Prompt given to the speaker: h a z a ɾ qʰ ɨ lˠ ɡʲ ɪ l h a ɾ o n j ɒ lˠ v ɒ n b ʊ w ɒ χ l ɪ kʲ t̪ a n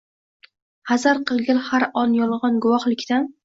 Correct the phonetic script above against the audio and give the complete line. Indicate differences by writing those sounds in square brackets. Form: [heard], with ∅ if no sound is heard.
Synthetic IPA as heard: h a z a ɾ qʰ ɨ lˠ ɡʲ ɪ l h a ɾ [ɒ] n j ɒ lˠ [ʁ] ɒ n [ɡ] ʊ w ɒ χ l ɪ kʲ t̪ a n